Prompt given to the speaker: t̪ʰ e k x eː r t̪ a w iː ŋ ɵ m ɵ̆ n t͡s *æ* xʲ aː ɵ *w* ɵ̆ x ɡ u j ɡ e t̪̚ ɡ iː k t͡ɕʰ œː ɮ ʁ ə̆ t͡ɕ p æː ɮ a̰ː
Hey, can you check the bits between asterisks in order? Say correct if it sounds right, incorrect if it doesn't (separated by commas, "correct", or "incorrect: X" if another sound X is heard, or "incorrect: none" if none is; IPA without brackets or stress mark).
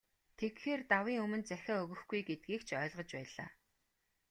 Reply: correct, incorrect: ɣ